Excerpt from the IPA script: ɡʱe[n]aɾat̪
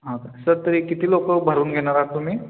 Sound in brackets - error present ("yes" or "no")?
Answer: no